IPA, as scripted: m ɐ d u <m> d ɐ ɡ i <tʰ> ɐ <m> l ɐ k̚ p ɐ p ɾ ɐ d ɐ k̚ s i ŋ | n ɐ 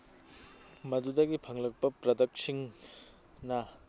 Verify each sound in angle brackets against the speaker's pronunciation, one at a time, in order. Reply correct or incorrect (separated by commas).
incorrect, incorrect, incorrect